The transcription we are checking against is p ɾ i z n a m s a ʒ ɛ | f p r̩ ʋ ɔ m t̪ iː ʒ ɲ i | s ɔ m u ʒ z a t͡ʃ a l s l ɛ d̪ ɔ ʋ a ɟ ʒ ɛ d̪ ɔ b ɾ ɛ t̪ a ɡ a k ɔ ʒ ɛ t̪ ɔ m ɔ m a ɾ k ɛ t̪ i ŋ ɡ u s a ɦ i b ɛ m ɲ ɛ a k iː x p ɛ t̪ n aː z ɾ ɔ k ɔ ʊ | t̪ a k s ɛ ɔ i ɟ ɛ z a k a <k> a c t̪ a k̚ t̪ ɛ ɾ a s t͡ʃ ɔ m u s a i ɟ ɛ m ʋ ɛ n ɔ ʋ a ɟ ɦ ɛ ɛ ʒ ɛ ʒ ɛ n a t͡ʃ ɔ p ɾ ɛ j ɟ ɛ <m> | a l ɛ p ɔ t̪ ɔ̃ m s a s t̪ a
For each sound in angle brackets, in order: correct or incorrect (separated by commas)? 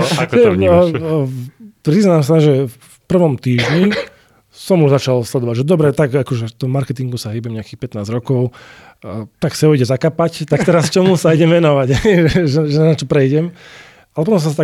incorrect, correct